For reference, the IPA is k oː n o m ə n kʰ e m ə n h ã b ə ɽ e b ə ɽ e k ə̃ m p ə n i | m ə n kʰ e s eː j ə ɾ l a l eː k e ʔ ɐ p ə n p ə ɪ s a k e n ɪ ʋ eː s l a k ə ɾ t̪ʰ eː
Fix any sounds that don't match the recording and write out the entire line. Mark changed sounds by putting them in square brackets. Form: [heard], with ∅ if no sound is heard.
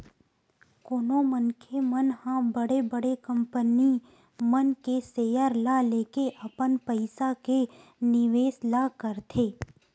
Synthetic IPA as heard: k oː n o m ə n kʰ e m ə n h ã b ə ɽ e b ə ɽ e k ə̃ m p ə n i | m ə n [k] e s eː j ə ɾ l a l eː k e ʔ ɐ p ə n p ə ɪ s a k e n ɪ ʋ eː s l a k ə ɾ t̪ʰ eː